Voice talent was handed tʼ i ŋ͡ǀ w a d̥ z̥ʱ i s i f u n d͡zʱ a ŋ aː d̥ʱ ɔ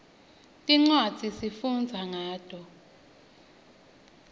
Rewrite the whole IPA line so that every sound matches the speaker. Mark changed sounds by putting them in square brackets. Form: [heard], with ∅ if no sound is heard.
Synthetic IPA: tʼ i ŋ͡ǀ w a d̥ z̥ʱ i s i f u n d͡zʱ a ŋ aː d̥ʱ ɔ